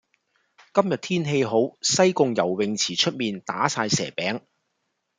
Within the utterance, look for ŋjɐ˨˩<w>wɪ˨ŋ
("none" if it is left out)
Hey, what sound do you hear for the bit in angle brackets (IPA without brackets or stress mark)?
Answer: w